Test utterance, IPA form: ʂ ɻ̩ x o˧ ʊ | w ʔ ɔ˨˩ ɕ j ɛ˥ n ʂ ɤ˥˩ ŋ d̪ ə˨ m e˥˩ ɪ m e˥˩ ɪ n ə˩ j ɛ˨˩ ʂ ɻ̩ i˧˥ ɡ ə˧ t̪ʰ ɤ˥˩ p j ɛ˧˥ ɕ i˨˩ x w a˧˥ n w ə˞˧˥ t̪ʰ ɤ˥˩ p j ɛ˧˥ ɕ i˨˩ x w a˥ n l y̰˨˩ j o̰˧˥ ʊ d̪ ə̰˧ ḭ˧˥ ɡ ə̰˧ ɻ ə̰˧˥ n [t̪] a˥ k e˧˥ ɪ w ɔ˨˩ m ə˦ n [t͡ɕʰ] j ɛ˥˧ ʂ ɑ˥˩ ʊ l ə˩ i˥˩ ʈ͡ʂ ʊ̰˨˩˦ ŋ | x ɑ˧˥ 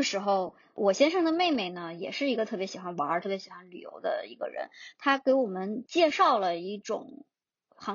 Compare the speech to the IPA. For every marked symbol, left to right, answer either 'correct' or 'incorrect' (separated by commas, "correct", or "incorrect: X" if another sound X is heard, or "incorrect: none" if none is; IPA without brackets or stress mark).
incorrect: t̪ʰ, incorrect: t͡ɕ